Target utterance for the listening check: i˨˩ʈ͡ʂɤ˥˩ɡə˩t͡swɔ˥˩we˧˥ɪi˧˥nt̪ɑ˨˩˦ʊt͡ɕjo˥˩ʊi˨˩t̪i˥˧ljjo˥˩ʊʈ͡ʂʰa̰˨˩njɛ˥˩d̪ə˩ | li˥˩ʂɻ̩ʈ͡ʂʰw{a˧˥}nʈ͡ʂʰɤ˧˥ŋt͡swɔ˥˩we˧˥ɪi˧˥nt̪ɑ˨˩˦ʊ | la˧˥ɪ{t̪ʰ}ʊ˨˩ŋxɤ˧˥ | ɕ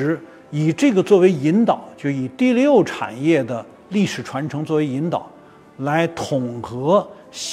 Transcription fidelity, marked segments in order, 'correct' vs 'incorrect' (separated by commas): correct, correct